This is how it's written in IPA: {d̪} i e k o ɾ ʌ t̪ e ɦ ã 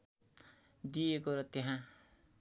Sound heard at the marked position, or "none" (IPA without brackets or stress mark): d̪